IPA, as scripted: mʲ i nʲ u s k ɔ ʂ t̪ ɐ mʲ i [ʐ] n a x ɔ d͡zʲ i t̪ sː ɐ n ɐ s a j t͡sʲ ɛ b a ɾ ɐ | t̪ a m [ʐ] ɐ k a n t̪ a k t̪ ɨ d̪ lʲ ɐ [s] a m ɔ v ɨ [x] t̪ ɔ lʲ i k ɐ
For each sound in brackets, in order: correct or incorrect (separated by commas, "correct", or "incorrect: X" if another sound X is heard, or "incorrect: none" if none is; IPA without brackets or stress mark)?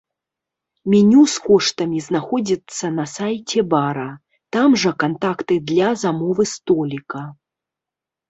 incorrect: z, correct, incorrect: z, incorrect: s